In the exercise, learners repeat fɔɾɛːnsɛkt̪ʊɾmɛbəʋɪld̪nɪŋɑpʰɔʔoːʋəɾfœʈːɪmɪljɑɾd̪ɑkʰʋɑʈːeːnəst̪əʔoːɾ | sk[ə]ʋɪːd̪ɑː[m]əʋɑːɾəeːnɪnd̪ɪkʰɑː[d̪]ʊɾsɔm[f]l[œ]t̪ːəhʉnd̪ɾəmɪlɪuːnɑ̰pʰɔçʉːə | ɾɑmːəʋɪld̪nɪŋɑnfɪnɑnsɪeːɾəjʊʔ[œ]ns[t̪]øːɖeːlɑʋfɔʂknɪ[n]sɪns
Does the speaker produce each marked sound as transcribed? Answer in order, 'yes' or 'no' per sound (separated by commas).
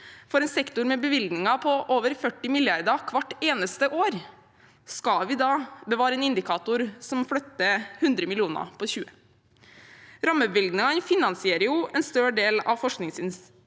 no, no, no, yes, yes, no, yes, no